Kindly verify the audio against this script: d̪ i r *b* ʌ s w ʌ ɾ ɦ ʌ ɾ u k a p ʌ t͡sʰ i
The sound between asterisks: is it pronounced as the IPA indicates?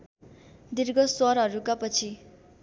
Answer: no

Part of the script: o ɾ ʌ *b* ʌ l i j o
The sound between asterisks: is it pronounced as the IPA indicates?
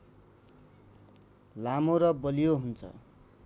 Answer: yes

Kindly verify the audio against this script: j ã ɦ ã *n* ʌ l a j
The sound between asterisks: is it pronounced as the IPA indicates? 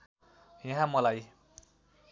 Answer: no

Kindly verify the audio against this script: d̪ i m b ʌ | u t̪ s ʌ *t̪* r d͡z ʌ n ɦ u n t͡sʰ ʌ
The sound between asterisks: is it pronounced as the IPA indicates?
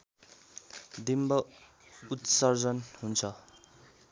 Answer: no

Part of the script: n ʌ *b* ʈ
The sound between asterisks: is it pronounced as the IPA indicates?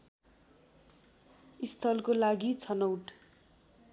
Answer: no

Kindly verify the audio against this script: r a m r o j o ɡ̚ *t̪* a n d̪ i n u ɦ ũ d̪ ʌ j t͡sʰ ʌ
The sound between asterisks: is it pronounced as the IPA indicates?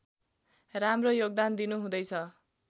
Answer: no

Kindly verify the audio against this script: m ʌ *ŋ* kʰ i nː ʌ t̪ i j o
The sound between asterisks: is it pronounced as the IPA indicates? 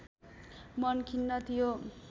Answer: no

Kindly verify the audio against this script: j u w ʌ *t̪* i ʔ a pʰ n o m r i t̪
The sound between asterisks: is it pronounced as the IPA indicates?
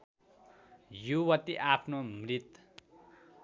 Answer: yes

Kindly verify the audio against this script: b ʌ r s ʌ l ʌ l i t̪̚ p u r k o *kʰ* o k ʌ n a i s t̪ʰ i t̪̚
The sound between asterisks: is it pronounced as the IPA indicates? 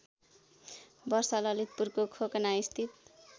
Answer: yes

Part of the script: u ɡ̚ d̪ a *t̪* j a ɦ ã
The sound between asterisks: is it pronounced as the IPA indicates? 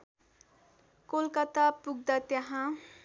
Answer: yes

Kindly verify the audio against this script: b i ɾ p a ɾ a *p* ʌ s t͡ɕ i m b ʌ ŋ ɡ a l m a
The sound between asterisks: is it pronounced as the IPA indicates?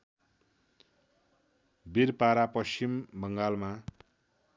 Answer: yes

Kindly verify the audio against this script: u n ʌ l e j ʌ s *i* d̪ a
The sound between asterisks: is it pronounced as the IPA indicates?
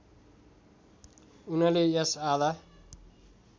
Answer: no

